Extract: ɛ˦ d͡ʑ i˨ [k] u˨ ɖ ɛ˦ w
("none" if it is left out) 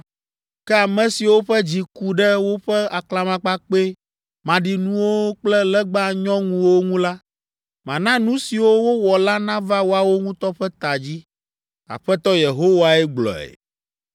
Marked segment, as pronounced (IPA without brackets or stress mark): k